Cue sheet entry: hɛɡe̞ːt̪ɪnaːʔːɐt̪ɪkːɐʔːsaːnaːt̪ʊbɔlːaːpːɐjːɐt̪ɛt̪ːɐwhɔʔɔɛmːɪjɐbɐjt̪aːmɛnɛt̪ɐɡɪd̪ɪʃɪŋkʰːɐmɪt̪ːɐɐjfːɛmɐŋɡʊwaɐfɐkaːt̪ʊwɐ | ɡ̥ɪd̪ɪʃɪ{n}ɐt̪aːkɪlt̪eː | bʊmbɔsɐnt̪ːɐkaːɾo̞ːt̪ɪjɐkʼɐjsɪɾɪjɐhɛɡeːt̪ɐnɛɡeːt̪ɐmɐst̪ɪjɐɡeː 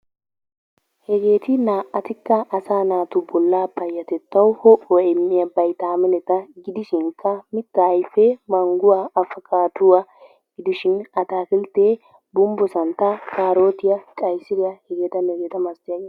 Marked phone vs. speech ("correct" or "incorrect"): correct